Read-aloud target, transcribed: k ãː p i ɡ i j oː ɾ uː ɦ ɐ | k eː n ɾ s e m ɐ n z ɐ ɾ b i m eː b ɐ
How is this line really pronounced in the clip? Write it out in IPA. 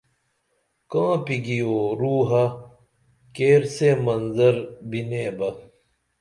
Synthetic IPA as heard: k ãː p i ɡ i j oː ɾ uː ɦ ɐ | k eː ɾ s e m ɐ n z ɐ ɾ b i n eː b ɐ